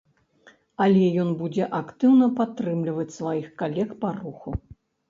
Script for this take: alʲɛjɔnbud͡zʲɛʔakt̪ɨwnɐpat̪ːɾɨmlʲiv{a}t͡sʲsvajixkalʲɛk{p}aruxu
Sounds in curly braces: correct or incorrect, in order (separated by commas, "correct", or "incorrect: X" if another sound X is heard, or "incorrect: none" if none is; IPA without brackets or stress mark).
incorrect: ɐ, correct